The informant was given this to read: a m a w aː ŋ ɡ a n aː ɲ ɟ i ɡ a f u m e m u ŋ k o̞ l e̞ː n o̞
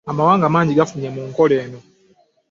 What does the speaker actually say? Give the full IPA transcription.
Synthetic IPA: a m a w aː ŋ ɡ a m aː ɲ ɟ i ɡ a f u ɲ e m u ŋ k o̞ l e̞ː n o̞